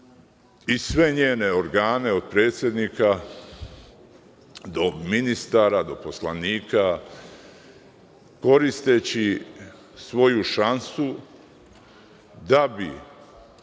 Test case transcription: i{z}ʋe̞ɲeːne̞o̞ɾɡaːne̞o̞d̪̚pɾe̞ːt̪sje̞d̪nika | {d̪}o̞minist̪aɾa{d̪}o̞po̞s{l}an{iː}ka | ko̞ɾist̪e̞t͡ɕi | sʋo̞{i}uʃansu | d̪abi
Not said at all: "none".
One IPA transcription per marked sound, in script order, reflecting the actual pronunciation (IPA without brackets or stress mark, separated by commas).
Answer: s, d̪, d̪, l, iː, j